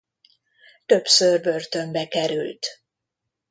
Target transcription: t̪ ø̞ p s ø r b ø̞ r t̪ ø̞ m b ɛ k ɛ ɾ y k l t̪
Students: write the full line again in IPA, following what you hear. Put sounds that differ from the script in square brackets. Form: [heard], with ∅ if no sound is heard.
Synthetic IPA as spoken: t̪ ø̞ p s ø r b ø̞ r t̪ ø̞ m b ɛ k ɛ ɾ y [∅] l t̪